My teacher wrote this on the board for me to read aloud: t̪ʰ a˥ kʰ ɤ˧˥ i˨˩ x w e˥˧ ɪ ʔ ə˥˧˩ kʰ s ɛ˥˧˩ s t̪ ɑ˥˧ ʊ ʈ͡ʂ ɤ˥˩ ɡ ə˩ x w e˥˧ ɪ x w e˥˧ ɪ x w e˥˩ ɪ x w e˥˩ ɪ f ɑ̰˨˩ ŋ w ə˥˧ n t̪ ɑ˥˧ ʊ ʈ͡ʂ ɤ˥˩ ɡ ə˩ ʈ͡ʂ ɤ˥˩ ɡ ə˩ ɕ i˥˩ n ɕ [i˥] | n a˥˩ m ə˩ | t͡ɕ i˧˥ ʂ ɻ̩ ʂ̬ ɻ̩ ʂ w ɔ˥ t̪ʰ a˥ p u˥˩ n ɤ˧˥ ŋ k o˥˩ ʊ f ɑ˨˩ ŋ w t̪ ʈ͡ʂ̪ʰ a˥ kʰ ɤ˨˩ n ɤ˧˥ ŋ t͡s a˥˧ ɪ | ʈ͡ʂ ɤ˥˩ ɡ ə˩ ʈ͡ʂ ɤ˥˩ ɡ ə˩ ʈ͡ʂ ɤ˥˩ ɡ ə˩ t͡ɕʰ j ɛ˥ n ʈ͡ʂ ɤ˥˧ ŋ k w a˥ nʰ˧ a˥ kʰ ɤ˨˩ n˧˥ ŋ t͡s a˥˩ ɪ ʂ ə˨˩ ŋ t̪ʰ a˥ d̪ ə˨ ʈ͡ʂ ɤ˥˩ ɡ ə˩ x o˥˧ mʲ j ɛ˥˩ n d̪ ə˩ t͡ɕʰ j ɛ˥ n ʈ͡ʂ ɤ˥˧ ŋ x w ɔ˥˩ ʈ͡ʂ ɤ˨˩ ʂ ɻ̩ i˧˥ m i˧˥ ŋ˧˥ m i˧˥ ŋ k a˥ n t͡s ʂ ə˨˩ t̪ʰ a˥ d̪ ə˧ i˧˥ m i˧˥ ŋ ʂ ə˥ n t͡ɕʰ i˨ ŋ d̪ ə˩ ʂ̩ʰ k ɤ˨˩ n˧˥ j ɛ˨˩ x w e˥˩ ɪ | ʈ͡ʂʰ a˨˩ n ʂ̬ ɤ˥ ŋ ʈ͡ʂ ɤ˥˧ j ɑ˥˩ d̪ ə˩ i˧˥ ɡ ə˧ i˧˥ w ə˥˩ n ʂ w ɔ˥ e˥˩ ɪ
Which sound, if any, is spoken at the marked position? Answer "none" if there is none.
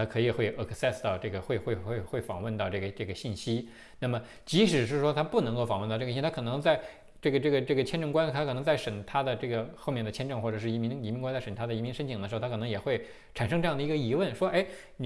i˥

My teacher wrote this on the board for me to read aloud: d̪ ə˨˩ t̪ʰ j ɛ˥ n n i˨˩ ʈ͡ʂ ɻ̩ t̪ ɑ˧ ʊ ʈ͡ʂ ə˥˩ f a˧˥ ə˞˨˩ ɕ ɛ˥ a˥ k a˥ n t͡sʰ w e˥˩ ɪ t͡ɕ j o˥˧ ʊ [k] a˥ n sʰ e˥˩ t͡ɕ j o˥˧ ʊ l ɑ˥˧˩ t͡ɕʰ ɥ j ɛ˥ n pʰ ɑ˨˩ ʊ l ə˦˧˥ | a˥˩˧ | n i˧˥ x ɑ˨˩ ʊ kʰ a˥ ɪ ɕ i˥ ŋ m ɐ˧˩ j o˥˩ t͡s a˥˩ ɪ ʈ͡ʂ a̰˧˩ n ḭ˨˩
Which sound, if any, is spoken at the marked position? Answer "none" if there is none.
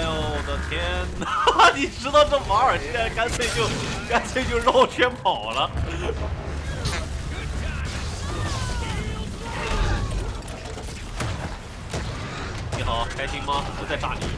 k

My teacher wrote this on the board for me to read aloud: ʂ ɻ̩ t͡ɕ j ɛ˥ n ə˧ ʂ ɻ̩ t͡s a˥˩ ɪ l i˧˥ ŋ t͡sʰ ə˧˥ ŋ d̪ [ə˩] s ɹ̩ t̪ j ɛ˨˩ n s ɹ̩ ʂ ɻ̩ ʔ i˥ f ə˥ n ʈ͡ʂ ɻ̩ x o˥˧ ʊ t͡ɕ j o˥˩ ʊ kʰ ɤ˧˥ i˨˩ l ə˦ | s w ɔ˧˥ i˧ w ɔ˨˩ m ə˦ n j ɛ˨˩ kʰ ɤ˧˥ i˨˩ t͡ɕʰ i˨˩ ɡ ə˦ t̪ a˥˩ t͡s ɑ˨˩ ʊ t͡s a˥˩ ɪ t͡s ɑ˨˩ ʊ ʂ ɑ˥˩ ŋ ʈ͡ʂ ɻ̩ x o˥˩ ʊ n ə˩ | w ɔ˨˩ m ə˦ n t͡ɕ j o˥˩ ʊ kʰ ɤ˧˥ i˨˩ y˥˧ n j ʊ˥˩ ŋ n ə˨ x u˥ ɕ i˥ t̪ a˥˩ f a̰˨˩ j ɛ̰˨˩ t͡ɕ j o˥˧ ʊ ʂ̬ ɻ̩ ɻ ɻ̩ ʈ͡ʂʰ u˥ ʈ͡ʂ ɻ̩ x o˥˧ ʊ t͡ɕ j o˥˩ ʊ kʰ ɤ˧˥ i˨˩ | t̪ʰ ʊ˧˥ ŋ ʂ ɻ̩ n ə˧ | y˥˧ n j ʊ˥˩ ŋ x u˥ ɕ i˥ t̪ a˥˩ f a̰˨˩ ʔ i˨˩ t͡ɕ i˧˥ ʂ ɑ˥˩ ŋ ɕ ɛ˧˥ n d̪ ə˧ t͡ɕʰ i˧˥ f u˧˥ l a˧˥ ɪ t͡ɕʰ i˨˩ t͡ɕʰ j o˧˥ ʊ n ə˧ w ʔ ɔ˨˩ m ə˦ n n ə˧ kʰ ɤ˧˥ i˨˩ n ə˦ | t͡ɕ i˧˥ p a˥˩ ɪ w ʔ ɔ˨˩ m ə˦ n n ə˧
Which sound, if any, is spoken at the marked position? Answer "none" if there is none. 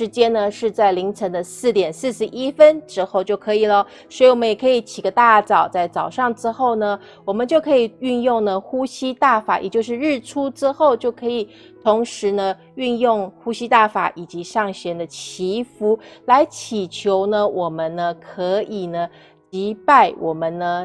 ə˧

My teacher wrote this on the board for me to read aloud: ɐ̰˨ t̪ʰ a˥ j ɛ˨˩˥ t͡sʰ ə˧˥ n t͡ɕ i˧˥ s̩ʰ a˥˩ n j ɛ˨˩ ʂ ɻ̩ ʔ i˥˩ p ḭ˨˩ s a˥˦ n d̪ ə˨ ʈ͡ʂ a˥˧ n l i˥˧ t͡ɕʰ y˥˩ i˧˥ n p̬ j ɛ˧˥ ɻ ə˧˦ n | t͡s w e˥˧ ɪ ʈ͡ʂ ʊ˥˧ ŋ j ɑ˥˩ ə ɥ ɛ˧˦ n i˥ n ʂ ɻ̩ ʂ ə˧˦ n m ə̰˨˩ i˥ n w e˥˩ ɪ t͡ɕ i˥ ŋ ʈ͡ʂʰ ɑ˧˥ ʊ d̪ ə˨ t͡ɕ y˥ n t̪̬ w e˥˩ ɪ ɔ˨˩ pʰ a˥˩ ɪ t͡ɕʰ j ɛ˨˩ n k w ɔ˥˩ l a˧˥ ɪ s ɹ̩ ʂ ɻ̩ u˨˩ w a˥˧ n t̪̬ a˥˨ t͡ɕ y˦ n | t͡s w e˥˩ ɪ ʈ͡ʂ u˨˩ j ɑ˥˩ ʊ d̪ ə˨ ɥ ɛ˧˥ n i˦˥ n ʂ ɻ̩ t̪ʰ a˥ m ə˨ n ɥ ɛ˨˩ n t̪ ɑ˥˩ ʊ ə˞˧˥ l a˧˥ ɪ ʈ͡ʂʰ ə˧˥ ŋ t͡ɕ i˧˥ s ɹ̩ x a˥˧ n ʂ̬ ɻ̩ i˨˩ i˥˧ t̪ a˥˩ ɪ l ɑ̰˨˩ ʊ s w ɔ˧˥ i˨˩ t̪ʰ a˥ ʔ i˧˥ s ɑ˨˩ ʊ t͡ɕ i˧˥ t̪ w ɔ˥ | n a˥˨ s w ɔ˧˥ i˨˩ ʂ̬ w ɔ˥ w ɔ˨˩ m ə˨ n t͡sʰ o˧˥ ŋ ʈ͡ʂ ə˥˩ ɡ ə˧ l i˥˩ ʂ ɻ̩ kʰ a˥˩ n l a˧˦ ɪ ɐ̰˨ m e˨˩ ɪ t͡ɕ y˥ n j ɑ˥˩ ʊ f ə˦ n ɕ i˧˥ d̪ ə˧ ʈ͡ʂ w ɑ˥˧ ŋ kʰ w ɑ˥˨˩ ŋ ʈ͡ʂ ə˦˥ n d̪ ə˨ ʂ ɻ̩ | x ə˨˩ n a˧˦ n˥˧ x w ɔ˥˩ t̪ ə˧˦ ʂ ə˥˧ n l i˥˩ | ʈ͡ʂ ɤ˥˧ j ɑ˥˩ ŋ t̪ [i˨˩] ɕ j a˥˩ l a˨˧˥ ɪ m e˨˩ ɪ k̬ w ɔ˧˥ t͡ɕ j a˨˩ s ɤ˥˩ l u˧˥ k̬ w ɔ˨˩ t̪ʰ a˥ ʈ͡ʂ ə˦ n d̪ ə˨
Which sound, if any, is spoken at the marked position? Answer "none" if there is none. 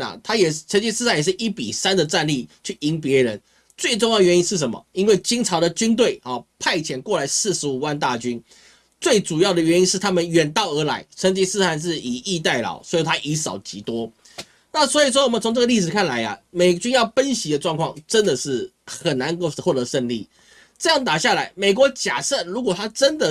a˨˩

